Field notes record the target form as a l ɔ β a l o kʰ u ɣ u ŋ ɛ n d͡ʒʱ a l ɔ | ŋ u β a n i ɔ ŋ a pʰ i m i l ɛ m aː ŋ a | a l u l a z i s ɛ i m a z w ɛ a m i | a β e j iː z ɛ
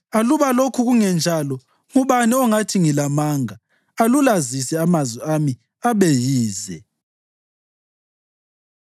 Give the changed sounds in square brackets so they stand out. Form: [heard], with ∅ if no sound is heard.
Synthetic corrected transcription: a l [u] β a l o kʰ u ɣ u ŋ ɛ n d͡ʒʱ a l ɔ | ŋ u β a n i ɔ ŋ a [tʰ] i [ŋ] i l [a] m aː ŋ a | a l u l a z i s ɛ [a] m a z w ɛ a m i | a β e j iː z ɛ